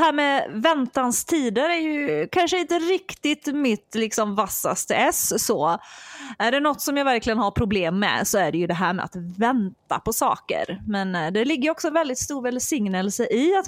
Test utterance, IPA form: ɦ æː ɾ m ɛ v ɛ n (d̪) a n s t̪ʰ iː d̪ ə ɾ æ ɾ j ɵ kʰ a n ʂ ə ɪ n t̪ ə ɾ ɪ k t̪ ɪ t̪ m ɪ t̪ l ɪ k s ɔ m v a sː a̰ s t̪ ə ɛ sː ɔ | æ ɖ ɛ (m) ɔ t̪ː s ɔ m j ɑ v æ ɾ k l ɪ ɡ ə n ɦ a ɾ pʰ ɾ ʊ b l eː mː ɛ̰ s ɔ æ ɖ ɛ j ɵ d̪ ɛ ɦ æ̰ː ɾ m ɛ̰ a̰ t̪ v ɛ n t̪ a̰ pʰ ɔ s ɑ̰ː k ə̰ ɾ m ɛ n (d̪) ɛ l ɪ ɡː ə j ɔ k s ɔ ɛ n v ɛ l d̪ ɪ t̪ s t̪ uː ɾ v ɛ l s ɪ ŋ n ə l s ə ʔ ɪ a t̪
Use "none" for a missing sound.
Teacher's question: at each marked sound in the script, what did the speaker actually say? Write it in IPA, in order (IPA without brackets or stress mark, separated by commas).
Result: t̪, n, d̪